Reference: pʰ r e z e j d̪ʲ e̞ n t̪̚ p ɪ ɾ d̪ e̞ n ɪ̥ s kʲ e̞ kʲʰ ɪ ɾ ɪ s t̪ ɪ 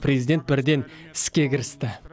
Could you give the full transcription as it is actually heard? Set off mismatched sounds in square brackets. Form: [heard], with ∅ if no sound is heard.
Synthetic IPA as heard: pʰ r e z [i] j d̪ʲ e̞ n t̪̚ [b] ɪ ɾ d̪ e̞ n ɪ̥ s kʲ e̞ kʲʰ ɪ ɾ ɪ s t̪ ɪ